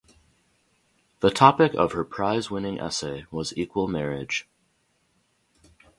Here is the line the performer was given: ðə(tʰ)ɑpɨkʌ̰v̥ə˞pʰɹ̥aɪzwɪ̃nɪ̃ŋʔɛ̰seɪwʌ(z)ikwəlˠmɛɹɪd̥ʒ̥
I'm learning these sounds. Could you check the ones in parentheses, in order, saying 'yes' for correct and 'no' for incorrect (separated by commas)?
yes, yes